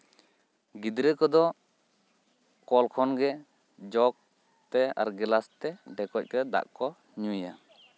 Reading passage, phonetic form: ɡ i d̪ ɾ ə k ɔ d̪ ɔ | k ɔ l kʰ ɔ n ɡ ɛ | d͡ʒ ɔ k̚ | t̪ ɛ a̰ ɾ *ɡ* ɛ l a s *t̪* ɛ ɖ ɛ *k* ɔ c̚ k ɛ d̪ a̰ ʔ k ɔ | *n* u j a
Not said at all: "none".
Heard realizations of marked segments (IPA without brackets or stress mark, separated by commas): ɡ, t̪, k, ɲ